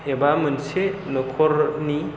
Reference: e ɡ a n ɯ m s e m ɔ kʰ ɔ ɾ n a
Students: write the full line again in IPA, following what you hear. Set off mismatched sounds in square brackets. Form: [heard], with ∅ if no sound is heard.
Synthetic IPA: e [b] a [m] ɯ [n] s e [n] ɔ kʰ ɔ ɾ n [i]

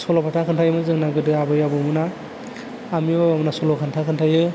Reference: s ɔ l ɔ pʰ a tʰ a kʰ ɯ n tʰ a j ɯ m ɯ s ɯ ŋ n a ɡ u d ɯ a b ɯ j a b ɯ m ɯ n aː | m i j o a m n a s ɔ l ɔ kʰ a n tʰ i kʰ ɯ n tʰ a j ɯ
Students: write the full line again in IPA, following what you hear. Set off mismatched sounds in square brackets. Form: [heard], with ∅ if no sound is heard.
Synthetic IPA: s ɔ l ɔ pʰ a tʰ a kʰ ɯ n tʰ a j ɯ m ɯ [z] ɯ ŋ n a ɡ [ɯ] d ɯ a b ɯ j a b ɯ m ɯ n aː | m i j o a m n a s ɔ l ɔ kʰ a n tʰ [a] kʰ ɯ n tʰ a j ɯ

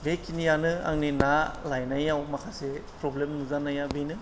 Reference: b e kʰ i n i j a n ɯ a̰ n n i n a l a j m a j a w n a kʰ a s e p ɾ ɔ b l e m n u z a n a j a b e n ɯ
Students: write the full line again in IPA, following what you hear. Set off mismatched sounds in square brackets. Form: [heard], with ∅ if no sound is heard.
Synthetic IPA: b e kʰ i n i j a n ɯ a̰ [ŋ] n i n a l a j [n] a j a w [m] a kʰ a s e p ɾ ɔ b l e m n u z a n a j a b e n ɯ

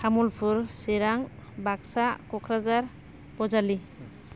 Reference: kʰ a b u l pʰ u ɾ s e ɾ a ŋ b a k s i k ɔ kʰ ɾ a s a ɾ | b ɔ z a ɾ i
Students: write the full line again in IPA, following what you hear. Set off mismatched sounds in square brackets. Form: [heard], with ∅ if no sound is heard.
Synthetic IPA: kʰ a [m] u l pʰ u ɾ s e ɾ a ŋ b a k s [a] k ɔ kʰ ɾ a [z] a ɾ | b ɔ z a [l] i

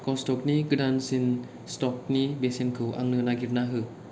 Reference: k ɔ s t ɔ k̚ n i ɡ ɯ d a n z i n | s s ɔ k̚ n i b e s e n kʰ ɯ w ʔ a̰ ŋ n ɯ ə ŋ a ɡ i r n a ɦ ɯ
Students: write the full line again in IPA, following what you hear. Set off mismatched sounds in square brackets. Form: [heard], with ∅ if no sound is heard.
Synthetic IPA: k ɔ s t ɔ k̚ n i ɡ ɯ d a n [s] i n | s [t] ɔ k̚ n i b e s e n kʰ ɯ w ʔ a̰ ŋ n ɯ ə [n] a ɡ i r n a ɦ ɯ

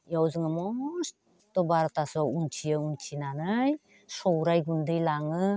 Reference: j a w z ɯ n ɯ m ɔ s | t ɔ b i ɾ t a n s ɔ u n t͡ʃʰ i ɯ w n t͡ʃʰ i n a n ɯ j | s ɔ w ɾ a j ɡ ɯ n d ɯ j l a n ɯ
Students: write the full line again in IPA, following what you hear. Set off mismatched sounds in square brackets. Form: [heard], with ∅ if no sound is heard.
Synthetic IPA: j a w z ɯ [ŋ] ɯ m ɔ s | t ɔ b [a] ɾ t a [∅] s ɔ u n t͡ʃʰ i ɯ [u] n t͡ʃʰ i n a n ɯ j | s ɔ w ɾ a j ɡ [u] n d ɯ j l a [ŋ] ɯ

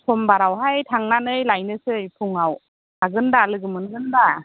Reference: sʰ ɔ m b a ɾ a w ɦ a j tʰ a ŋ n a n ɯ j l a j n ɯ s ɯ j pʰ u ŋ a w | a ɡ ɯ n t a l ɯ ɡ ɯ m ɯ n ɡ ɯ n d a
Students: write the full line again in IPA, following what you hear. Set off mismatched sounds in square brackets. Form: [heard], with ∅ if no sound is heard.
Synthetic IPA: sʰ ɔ m b a ɾ a w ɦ a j tʰ a ŋ n a n ɯ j l a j n ɯ s ɯ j pʰ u ŋ a w | a ɡ ɯ n [d] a l ɯ ɡ ɯ m ɯ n ɡ ɯ n d a

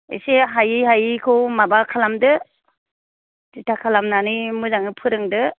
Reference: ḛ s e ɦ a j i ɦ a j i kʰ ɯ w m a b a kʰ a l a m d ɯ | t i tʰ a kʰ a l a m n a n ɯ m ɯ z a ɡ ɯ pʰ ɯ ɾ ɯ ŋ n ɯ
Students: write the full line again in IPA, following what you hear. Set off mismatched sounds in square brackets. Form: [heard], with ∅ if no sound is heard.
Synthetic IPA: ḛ s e ɦ a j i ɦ a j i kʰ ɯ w m a b a kʰ a l a m d ɯ | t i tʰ a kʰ a l a m n a n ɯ m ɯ z a [ŋ] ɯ pʰ ɯ ɾ ɯ ŋ [d] ɯ

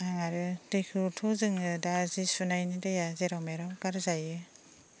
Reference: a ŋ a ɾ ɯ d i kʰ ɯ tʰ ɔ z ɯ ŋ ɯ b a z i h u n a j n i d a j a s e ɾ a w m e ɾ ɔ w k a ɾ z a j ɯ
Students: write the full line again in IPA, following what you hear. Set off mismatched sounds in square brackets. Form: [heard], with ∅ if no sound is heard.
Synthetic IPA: a ŋ a ɾ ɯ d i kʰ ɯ tʰ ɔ z ɯ ŋ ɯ [d] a z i [s] u n a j n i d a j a [z] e ɾ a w m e ɾ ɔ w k a ɾ z a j ɯ

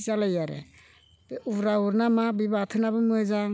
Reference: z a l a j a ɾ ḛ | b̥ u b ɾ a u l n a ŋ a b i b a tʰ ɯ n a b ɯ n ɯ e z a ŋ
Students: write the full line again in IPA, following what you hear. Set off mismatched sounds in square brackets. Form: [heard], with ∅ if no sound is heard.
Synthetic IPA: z a l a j a ɾ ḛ | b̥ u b ɾ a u [ɾ] n a [m] a b i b a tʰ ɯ n a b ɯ [m] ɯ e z a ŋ

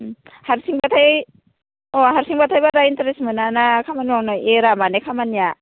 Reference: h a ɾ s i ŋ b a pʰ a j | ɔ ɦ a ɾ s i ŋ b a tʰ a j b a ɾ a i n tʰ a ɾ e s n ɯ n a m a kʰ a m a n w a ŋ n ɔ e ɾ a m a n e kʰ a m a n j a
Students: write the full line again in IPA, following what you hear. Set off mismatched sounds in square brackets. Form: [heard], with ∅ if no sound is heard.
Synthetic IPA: h a ɾ s i ŋ b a [tʰ] a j | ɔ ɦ a ɾ s i ŋ b a tʰ a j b a ɾ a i n [t] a ɾ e s [m] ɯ n a [n] a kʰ a m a n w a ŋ n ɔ e ɾ a m a n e kʰ a m a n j a

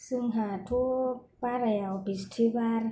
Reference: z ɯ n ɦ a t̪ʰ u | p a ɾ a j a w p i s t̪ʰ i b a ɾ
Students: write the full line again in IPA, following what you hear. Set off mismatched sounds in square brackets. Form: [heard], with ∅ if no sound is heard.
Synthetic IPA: [s] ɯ [ŋ] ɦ a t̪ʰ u | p a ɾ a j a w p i s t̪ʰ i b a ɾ

